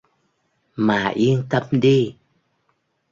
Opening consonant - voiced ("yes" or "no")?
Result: yes